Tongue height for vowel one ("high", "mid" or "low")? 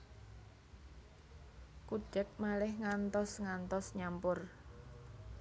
high